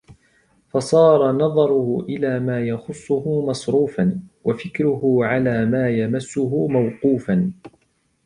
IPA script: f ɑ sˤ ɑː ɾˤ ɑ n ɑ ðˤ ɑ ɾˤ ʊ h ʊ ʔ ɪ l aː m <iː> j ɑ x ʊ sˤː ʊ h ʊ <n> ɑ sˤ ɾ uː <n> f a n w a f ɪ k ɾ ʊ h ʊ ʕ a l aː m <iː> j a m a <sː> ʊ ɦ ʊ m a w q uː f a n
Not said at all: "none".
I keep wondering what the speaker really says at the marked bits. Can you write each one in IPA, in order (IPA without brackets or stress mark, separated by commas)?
aː, m, none, aː, sː